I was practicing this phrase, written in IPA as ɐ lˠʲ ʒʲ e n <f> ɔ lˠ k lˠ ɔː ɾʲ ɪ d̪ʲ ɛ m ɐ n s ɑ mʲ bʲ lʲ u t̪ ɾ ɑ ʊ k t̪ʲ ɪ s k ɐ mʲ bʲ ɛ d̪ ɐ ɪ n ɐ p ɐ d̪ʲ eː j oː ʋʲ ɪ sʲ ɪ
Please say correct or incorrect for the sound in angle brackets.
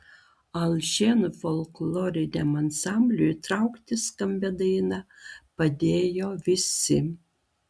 correct